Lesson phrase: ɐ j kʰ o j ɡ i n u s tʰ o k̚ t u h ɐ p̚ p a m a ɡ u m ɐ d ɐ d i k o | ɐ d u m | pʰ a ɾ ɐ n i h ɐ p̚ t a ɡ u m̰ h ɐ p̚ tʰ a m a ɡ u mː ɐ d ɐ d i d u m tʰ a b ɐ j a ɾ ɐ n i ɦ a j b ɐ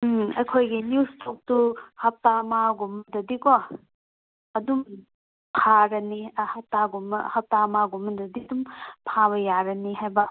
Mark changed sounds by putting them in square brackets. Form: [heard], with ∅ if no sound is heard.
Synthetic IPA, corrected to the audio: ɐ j kʰ o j ɡ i n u s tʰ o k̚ t u h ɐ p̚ [t] a m a ɡ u m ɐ d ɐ d i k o | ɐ d u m | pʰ a ɾ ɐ n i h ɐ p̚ t a ɡ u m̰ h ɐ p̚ [t] a m a ɡ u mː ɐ d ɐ d i d u m [pʰ] a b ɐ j a ɾ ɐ n i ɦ a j b ɐ